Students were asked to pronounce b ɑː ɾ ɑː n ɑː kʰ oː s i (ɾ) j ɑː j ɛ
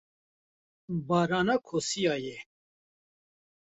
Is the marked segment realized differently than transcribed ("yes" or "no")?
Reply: yes